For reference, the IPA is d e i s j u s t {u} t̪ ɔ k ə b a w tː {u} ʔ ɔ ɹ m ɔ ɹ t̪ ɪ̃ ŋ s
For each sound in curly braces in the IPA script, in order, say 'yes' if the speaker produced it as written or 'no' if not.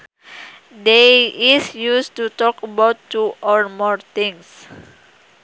yes, yes

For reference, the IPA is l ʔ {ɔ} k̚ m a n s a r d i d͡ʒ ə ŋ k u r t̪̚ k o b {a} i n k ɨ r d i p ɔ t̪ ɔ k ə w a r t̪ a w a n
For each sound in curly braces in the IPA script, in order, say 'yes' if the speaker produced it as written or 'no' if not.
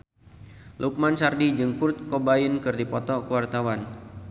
no, yes

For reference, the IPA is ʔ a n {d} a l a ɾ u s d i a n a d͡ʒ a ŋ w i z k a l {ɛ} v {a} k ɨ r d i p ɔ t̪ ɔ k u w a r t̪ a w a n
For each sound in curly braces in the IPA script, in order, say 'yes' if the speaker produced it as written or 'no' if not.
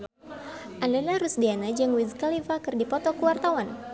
yes, no, yes

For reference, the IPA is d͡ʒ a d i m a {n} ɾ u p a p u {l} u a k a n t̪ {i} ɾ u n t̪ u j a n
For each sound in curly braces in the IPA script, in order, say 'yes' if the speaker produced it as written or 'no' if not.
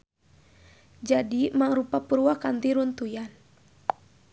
no, no, yes

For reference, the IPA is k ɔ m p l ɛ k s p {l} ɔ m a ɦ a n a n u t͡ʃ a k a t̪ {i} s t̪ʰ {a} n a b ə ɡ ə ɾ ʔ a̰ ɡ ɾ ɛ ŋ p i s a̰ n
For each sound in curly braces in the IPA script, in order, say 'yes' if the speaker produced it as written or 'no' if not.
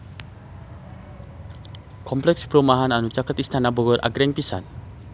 no, yes, yes

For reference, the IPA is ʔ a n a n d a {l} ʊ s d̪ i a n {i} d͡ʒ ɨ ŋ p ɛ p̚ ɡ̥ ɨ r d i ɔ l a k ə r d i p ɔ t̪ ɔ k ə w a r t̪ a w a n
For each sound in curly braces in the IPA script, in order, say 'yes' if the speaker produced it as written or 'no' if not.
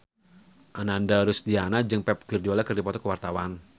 no, no

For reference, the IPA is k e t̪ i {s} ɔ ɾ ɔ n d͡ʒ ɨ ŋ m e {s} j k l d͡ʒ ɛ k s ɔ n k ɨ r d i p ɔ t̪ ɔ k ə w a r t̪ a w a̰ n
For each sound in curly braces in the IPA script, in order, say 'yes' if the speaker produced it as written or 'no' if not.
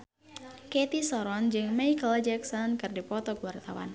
yes, no

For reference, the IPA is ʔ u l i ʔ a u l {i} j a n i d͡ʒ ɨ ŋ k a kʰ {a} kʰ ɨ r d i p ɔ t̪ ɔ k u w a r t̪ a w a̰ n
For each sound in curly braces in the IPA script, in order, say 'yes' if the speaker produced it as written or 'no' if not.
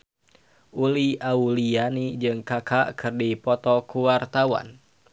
yes, yes

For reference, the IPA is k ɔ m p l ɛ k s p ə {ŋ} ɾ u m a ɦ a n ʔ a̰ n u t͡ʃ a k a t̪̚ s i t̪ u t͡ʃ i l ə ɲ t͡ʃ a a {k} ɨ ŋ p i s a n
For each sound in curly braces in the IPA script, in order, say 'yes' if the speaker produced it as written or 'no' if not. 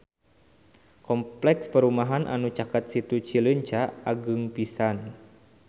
no, no

